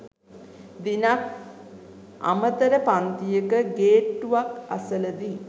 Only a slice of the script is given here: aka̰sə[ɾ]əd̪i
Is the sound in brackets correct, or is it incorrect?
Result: incorrect